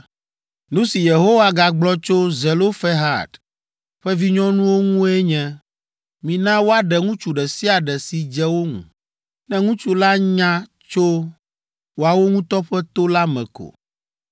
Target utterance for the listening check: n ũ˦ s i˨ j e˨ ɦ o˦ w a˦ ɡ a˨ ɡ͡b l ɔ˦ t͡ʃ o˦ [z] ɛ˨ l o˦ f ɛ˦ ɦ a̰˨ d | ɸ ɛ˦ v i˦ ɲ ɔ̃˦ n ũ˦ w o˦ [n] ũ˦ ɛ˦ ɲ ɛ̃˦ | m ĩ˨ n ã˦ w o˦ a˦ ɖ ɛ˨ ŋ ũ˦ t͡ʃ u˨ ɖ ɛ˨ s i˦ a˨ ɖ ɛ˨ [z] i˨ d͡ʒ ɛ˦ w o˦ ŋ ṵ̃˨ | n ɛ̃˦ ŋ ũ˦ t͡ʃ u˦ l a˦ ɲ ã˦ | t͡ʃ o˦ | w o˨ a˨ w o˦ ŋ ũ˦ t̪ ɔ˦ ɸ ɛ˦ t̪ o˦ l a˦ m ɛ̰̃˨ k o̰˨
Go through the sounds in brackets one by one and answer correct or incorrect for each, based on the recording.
correct, incorrect, incorrect

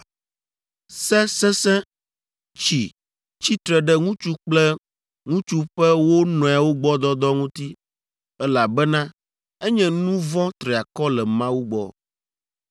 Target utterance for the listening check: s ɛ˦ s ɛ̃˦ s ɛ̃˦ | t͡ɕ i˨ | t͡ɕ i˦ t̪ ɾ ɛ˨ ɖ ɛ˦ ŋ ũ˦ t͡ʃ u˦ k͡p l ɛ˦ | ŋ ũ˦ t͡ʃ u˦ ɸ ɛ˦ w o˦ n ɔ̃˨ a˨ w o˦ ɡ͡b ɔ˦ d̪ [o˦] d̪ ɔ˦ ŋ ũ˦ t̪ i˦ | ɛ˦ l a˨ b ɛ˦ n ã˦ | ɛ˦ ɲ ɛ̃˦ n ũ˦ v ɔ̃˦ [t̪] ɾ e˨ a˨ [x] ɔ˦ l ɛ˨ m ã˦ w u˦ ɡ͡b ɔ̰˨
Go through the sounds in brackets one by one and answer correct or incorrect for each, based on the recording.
incorrect, correct, incorrect

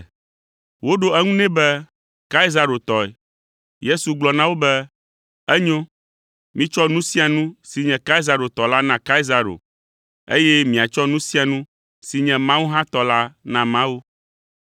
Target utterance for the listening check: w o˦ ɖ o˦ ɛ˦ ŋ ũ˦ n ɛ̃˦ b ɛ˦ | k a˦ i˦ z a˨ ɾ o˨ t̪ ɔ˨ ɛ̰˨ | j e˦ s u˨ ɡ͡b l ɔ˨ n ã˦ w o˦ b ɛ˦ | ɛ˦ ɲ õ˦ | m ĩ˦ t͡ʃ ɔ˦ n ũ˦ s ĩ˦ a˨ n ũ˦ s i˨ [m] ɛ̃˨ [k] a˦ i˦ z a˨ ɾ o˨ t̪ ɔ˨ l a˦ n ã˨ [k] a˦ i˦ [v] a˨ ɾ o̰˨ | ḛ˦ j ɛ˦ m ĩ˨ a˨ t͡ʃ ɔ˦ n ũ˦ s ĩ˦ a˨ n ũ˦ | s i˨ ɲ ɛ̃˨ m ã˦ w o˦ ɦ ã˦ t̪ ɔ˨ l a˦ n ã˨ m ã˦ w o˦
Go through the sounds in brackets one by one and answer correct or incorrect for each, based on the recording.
incorrect, correct, correct, incorrect

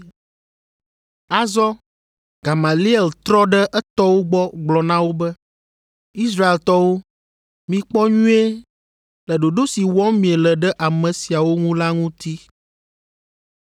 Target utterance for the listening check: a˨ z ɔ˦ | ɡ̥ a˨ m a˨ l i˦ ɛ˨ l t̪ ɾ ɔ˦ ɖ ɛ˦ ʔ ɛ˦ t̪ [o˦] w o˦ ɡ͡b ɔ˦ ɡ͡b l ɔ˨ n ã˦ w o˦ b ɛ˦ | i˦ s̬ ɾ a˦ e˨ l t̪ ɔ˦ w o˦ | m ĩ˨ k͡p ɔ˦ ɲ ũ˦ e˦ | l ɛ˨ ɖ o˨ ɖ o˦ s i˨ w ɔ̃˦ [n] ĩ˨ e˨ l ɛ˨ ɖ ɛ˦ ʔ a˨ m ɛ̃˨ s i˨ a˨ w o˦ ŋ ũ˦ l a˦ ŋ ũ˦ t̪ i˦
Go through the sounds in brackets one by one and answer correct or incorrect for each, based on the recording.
incorrect, incorrect

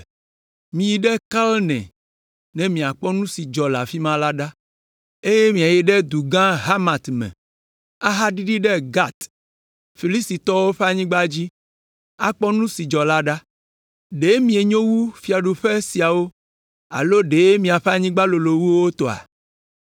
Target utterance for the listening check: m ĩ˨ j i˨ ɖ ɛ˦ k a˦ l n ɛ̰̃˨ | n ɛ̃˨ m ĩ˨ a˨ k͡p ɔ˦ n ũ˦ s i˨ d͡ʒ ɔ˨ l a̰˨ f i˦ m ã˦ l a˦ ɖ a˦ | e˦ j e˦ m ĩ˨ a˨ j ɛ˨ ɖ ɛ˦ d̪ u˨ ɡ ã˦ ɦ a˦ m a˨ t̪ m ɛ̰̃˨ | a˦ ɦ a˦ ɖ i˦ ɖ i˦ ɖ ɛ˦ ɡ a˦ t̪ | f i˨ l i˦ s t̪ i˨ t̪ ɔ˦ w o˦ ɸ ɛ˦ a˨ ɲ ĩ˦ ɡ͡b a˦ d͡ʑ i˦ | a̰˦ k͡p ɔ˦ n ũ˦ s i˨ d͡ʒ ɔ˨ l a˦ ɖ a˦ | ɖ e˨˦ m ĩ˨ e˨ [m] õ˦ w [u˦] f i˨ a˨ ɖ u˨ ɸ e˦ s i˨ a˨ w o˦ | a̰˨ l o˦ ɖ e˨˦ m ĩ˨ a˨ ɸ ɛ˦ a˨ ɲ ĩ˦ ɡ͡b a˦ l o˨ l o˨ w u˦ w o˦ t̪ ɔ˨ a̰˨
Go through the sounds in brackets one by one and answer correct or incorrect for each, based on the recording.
incorrect, correct

